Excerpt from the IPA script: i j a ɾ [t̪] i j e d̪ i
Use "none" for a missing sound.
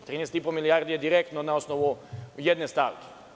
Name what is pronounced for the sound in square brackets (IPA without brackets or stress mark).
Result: d̪